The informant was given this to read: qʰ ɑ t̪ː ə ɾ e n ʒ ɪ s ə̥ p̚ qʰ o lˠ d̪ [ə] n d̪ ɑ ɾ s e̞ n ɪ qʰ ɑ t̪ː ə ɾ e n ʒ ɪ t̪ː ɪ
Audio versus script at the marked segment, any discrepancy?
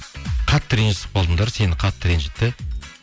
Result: no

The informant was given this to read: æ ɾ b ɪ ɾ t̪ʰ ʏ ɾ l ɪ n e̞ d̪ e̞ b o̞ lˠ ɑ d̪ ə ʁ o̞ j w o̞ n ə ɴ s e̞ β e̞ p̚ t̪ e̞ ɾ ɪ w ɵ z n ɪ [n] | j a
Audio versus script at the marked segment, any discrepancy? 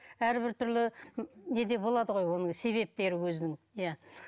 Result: yes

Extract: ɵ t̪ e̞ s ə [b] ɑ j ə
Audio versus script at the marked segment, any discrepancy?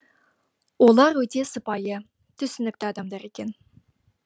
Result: yes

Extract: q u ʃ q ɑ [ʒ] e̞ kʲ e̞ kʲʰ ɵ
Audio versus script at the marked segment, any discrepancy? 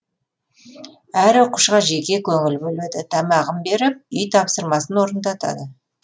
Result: no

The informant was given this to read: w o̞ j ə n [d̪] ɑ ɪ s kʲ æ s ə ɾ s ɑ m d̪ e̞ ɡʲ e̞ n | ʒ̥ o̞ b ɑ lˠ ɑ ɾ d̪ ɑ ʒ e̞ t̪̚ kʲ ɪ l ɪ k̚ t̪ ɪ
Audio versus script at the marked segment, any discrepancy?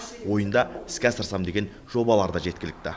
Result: no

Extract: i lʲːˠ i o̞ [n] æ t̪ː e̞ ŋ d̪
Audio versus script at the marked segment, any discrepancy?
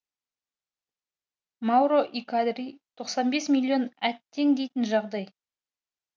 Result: no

